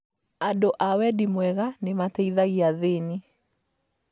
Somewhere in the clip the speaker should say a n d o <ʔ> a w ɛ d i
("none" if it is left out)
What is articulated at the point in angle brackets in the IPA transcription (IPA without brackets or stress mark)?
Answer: ʔ